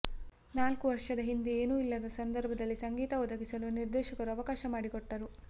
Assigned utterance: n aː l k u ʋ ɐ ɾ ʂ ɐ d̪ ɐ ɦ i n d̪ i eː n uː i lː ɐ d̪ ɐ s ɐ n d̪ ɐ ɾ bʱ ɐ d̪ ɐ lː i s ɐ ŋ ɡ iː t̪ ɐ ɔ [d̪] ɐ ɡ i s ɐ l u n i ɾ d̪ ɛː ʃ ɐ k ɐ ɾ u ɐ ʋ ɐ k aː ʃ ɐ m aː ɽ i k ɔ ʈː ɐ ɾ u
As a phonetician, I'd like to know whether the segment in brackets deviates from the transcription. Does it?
no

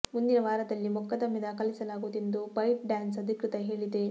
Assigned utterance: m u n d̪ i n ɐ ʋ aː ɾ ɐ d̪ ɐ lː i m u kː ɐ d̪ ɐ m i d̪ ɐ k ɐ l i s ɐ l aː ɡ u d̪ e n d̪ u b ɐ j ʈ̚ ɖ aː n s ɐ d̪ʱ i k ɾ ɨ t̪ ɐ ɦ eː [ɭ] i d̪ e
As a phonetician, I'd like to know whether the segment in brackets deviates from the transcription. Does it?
no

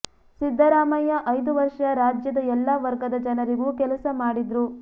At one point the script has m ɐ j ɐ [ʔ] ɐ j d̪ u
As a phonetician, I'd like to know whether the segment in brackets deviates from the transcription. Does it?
no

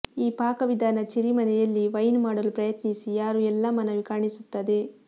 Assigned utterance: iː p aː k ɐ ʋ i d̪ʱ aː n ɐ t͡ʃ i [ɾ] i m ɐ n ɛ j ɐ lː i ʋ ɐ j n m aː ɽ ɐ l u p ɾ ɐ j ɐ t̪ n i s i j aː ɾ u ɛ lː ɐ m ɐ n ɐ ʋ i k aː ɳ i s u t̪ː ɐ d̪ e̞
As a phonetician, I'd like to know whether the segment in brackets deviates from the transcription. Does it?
no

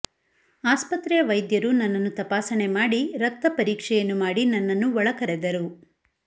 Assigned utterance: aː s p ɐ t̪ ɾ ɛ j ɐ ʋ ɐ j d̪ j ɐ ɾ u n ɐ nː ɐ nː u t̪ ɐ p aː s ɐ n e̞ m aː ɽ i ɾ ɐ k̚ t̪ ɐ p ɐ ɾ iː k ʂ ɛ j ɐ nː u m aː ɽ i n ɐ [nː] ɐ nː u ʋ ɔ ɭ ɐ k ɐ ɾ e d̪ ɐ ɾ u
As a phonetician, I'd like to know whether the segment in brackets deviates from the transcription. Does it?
no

